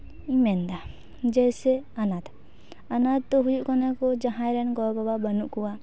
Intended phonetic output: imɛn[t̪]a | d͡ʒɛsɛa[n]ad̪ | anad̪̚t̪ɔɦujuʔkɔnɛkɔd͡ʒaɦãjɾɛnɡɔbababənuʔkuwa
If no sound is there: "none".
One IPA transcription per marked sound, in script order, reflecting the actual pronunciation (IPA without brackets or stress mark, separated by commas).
d̪, n